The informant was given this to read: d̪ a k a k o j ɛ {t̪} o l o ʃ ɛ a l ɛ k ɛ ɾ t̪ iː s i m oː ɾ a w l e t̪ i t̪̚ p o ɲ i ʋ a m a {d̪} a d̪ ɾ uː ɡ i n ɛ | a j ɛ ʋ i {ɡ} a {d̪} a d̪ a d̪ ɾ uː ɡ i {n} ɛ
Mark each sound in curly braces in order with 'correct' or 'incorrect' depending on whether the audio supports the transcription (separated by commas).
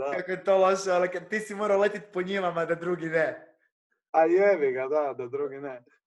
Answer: correct, correct, correct, correct, correct